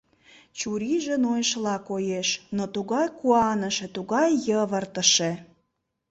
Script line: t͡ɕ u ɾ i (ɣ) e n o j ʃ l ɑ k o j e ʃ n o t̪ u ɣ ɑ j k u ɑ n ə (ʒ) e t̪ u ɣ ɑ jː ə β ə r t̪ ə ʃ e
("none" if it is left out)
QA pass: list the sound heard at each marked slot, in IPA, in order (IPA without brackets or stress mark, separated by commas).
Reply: ʒ, ʃ